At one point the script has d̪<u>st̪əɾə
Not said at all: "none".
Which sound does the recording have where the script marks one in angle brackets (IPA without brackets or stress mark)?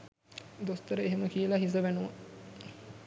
o